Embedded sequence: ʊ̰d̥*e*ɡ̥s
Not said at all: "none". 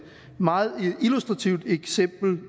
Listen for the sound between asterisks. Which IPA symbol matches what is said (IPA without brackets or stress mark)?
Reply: e